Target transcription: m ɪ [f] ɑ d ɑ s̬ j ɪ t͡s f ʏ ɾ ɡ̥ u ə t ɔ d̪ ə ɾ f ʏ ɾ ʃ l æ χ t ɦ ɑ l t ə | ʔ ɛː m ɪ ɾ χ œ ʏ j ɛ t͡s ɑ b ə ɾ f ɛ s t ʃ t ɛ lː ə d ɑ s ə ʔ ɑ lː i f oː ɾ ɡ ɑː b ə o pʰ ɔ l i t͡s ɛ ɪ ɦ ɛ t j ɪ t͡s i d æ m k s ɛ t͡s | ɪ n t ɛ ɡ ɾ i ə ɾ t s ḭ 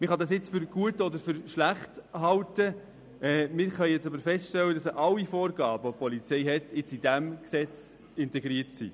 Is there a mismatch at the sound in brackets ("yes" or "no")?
yes